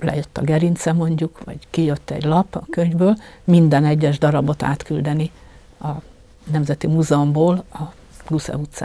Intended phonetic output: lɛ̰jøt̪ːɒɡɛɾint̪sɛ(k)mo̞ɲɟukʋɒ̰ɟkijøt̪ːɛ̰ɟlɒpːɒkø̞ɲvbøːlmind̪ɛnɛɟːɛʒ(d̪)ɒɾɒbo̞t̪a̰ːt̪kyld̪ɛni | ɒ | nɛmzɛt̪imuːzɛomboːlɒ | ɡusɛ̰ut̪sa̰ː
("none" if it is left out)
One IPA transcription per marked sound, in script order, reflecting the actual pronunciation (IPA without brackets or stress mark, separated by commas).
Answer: none, d̪